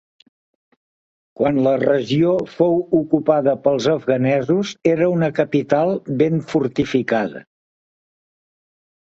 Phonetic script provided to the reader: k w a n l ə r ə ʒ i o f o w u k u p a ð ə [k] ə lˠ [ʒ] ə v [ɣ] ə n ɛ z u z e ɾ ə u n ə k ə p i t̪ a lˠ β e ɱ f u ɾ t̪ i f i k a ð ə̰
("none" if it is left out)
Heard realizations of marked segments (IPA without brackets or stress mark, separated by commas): p, z, ɣ